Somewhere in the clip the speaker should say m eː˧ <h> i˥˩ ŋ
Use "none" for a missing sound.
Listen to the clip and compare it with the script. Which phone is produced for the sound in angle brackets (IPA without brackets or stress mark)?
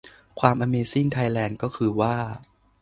s